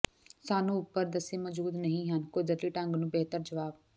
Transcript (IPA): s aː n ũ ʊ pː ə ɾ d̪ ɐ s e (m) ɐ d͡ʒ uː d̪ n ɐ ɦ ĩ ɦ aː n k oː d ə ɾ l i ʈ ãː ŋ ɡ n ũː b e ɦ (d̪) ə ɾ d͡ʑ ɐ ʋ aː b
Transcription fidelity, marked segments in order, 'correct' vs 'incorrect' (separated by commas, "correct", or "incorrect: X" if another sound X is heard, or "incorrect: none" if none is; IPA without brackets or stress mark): correct, incorrect: t̪